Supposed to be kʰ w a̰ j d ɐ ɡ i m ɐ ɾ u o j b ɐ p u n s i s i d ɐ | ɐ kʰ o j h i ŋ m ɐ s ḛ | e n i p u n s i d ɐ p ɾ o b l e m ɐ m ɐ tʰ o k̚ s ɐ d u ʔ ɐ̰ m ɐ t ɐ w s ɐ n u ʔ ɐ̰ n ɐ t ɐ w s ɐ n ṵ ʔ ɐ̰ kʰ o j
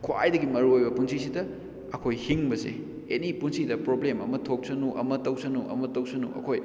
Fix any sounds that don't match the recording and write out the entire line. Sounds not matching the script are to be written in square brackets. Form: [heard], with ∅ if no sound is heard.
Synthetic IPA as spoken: kʰ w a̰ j d ɐ ɡ i m ɐ ɾ u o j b ɐ p u n s i s i d ɐ | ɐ kʰ o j h i ŋ [b] ɐ s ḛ | e n i p u n s i d ɐ p ɾ o b l e m ɐ m ɐ tʰ o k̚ s ɐ [n] u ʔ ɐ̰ m ɐ t ɐ w s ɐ n u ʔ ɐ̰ [m] ɐ t ɐ w s ɐ n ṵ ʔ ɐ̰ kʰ o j